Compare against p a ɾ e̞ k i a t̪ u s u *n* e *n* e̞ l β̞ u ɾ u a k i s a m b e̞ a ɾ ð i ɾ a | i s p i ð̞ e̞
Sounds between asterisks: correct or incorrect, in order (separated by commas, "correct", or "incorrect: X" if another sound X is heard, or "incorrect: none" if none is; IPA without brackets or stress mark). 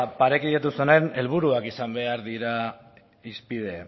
correct, correct